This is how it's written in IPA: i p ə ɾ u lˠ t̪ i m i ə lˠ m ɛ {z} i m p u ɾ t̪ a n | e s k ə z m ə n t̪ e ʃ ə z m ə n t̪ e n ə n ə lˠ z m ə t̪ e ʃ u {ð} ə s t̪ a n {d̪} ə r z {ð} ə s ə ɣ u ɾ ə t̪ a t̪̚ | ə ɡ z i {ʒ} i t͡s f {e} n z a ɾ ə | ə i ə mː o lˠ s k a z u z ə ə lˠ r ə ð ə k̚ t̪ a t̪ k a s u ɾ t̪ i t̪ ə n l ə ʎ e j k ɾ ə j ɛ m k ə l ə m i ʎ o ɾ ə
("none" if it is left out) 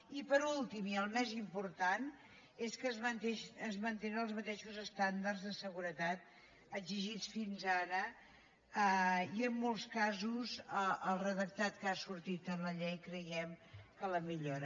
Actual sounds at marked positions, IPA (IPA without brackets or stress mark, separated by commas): z, z, d̪, ð, ʒ, i